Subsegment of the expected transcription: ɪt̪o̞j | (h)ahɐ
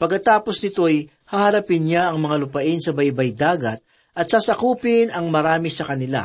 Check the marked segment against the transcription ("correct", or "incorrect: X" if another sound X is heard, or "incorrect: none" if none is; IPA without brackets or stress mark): correct